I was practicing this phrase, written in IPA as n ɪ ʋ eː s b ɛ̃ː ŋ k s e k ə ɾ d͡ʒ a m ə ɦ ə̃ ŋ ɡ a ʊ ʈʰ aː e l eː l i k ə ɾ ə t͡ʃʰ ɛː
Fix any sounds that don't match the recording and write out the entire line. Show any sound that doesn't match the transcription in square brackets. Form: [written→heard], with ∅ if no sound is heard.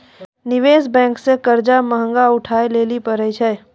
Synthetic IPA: n ɪ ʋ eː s b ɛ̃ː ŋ k s e k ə ɾ d͡ʒ a m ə ɦ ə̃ ŋ ɡ a ʊ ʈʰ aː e l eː l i [k→p] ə ɾ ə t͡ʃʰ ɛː

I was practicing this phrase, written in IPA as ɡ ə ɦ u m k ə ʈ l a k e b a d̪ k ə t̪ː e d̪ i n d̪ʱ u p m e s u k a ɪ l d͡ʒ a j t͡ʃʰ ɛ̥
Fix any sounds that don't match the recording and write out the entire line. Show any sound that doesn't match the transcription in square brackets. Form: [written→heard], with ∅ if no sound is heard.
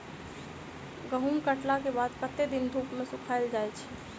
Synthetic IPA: ɡ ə ɦ u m k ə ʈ l a k e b a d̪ k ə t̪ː e d̪ i n d̪ʱ u p m e s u [k→kʰ] a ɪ l d͡ʒ a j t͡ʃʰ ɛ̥

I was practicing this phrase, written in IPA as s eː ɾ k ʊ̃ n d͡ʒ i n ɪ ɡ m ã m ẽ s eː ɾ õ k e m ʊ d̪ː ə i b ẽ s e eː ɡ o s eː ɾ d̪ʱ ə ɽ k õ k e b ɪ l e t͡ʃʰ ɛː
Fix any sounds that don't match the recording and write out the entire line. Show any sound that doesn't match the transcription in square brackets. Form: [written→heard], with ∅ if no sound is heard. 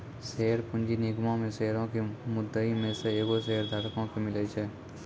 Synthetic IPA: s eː ɾ [k→p] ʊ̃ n d͡ʒ i n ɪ ɡ m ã m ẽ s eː ɾ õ k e m ʊ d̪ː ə i [b→m] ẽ s e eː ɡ o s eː ɾ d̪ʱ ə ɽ k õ k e [b→m] ɪ l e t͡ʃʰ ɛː

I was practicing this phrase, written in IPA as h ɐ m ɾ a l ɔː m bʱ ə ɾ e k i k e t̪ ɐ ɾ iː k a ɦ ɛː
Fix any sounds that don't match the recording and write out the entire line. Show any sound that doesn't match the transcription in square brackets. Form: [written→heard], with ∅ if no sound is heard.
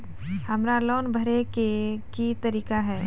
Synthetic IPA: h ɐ m ɾ a l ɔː [m→n] bʱ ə ɾ e k [i→e] k [e→i] t̪ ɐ ɾ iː k a ɦ ɛː

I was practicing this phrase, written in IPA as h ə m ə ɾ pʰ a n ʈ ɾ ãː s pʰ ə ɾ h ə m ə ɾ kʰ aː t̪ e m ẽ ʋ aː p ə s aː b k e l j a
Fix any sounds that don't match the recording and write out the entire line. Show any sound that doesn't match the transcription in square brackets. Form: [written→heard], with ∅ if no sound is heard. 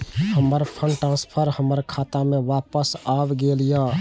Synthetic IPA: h ə m ə ɾ pʰ [a→ə] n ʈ ɾ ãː s pʰ ə ɾ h ə m ə ɾ kʰ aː t̪ [e→a] m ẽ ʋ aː p ə s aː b [k→ɡ] e l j a

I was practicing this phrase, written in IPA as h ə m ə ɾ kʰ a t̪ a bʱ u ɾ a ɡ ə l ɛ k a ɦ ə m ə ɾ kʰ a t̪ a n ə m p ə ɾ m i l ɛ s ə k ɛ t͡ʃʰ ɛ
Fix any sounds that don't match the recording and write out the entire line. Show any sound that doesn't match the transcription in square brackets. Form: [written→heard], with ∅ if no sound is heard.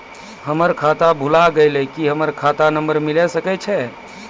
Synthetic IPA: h ə m ə ɾ kʰ a t̪ a bʱ u [ɾ→l] a ɡ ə l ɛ k [a→i] ɦ ə m ə ɾ kʰ a t̪ a n ə m [p→b] ə ɾ m i l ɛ s ə k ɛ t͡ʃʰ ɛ

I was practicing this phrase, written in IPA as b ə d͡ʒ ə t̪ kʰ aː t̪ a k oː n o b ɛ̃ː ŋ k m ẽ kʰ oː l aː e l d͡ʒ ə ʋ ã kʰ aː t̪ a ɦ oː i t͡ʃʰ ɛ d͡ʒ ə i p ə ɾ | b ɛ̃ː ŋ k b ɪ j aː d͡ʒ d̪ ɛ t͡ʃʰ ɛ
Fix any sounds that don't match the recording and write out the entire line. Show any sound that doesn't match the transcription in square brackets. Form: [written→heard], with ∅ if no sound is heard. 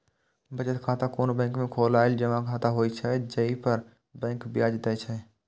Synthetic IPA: b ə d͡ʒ ə t̪ kʰ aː t̪ a k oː n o b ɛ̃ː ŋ k m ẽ kʰ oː l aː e l d͡ʒ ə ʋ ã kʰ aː t̪ a ɦ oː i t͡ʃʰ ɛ d͡ʒ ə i p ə ɾ | b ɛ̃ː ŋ k b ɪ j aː d͡ʒ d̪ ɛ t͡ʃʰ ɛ

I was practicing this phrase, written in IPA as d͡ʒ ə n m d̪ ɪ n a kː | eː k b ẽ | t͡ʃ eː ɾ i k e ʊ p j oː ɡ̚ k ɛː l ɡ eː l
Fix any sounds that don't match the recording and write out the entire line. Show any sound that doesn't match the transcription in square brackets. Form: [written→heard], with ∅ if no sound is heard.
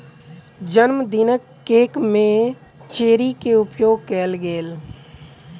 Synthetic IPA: d͡ʒ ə n m d̪ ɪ n [a→ə] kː | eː k [b→m] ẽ | t͡ʃ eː ɾ i k e ʊ p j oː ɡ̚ k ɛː l ɡ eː l

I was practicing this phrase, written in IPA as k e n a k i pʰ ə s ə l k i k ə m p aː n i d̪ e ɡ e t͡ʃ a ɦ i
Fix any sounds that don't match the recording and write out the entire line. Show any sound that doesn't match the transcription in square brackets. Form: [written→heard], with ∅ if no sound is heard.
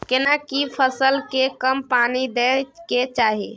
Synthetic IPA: k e n a k i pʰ ə s ə l k [i→e] k ə m p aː n i d̪ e [ɡ→k] e t͡ʃ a ɦ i

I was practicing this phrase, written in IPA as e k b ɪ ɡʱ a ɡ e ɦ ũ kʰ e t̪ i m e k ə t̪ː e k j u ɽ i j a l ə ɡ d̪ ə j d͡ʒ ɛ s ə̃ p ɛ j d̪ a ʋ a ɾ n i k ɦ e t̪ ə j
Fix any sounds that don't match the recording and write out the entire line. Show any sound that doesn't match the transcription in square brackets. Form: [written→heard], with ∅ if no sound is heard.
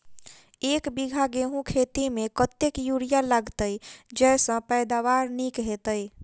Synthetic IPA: e k b [ɪ→i] ɡʱ a ɡ e ɦ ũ kʰ e t̪ i m e k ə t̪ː e k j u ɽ i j a l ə ɡ [d̪→t̪] ə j d͡ʒ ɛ s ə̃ p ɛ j d̪ a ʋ a ɾ n i k ɦ e t̪ ə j

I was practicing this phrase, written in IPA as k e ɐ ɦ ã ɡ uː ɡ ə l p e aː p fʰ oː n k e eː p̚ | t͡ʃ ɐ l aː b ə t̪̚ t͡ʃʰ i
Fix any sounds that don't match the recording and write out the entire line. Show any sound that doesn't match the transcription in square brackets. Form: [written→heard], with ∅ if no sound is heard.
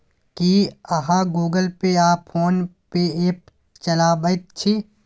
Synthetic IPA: k [e→i] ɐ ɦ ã ɡ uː ɡ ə l p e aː p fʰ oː n [k→p] e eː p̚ | t͡ʃ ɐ l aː b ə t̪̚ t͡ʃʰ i

